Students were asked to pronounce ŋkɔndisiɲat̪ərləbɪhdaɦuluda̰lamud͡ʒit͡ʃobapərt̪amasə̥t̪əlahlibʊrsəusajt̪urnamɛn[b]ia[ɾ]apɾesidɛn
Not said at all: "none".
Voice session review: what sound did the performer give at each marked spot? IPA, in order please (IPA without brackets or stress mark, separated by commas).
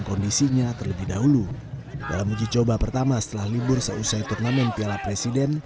p, l